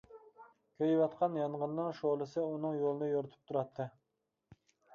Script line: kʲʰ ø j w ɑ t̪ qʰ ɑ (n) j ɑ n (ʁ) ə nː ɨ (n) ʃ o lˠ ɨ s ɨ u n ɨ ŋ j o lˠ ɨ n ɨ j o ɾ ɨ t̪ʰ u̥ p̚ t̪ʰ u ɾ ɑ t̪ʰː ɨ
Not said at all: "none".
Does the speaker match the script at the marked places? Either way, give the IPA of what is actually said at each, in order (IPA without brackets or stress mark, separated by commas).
n, ʁ, ŋ